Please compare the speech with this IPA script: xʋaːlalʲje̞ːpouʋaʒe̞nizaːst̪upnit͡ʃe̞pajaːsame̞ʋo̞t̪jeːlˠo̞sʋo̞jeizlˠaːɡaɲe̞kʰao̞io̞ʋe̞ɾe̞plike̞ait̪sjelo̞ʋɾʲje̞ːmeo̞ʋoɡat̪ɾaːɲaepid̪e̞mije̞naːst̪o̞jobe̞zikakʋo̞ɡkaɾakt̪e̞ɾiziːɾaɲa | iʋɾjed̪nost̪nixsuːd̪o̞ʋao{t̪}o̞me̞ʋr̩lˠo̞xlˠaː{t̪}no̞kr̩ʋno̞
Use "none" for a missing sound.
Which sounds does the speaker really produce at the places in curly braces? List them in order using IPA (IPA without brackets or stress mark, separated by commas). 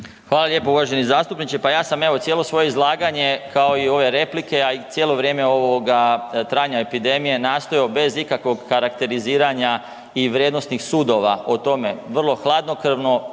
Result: t̪, d̪